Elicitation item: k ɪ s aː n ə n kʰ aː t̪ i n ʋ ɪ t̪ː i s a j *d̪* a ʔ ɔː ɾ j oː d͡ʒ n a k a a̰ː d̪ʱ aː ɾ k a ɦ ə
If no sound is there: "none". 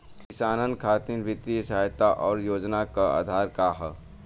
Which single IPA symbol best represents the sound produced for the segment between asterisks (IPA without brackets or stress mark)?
t̪